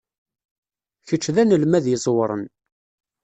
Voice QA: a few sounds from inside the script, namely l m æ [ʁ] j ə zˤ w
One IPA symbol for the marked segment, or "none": ð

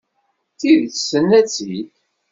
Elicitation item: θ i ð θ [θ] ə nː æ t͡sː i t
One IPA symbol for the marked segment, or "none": s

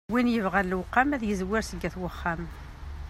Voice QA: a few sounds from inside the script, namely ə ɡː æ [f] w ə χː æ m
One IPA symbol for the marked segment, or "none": θ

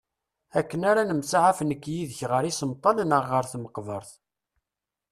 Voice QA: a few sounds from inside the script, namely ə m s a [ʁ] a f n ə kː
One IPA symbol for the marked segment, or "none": ʕ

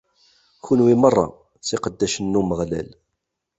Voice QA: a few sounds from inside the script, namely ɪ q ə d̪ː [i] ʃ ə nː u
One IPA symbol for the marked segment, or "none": æ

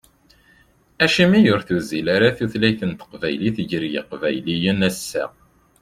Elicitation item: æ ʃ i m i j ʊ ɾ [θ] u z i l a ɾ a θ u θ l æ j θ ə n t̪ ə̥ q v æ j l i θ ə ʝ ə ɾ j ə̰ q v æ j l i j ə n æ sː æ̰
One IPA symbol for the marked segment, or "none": θ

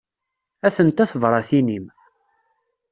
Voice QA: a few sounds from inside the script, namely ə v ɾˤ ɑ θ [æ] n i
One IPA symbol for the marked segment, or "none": i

